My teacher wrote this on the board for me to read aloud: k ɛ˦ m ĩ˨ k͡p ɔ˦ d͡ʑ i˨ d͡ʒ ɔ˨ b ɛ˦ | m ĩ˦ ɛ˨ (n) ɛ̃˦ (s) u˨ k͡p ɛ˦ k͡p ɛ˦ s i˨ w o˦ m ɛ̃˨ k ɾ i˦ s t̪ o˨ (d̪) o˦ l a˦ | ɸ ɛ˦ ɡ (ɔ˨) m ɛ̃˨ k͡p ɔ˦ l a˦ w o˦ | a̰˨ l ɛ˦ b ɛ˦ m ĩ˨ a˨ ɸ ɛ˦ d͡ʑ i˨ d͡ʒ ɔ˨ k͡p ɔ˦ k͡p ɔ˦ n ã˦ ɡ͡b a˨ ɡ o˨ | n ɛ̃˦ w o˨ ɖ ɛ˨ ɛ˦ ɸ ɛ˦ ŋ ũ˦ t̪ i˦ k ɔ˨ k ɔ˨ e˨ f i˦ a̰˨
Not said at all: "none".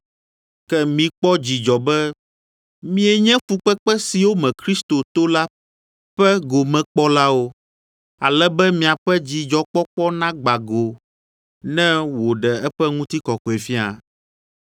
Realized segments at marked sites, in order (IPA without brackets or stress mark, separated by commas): ɲ, f, t̪, o˨